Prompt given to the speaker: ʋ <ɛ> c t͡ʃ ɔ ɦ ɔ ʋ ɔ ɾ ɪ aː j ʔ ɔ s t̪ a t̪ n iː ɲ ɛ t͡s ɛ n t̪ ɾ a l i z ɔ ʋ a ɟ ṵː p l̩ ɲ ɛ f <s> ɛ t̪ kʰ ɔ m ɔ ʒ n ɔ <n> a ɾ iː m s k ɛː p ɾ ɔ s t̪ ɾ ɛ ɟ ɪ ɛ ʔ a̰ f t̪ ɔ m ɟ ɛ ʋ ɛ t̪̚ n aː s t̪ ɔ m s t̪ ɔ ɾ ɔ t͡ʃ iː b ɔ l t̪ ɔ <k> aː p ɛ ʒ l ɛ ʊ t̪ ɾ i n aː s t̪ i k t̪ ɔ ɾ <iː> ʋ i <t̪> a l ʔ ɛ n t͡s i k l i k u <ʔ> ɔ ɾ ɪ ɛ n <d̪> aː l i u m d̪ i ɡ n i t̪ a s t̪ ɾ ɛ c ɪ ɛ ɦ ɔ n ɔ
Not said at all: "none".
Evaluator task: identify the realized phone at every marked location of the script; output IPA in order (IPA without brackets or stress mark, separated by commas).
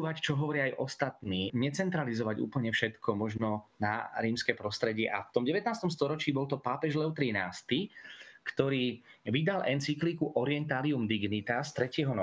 a, ʃ, n, p, iː, d̪, ʔ, t̪